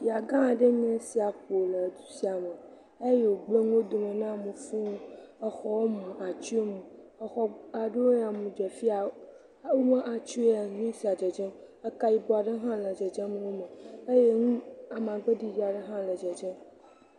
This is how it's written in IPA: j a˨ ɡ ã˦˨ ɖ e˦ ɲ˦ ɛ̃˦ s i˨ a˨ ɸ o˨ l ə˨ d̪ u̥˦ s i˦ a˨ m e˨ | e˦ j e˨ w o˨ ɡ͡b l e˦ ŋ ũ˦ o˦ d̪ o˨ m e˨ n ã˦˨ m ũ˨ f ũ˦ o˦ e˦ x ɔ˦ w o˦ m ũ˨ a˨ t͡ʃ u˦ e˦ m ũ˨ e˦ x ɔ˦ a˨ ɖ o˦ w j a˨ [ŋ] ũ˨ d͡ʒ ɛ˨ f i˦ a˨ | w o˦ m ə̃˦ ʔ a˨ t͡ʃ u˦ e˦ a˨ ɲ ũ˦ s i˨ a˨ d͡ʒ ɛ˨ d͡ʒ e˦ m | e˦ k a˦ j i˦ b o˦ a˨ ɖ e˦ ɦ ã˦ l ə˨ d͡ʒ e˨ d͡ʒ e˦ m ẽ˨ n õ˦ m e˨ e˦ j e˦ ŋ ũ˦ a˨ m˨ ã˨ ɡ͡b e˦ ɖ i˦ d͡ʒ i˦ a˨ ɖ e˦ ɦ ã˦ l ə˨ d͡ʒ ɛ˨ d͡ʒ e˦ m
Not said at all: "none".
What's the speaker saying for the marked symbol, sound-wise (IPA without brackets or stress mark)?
m